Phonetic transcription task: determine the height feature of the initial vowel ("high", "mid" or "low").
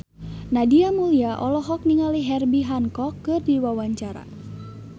low